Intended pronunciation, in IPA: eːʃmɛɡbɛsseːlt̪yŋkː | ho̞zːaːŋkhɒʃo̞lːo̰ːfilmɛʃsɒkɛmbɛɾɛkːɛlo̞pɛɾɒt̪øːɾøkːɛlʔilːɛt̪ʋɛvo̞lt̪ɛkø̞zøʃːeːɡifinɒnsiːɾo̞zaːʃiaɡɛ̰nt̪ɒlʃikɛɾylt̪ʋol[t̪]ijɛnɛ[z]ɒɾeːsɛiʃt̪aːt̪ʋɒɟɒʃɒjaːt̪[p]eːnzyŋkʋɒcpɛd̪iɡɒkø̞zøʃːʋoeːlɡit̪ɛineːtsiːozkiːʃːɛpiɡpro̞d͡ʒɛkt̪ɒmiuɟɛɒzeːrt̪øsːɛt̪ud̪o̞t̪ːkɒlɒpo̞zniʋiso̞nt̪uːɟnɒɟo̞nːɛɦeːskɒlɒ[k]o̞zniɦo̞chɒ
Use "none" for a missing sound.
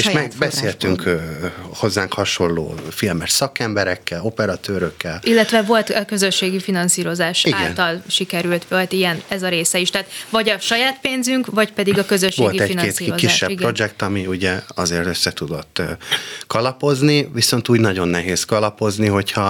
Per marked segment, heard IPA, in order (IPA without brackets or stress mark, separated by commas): t̪, z, p, p